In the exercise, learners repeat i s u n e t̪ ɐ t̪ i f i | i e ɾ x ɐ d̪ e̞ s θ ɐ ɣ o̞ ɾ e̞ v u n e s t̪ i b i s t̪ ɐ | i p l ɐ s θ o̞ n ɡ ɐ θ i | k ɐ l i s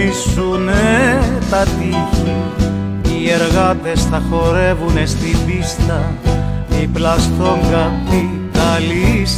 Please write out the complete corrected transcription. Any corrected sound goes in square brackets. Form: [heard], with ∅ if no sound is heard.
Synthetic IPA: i s u n e t̪ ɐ t̪ i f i | i e ɾ [ɣ] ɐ [t̪] e̞ s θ ɐ [x] o̞ ɾ e̞ v u n e s t̪ i b i s t̪ ɐ | i p l ɐ s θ o̞ [ŋ] ɡ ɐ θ i | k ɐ l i s